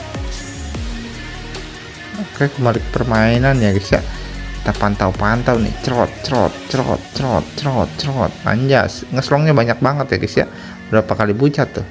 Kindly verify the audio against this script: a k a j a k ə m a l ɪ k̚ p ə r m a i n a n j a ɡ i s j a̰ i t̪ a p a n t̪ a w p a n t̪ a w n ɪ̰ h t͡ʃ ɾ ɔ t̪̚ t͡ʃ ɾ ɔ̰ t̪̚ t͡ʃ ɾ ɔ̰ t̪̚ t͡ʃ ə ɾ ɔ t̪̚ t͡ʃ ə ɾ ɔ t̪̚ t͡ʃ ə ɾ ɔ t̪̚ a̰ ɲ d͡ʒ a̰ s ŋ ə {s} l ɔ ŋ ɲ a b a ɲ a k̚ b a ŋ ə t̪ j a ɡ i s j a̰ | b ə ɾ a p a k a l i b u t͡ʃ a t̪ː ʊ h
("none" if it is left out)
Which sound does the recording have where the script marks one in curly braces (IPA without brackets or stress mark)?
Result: s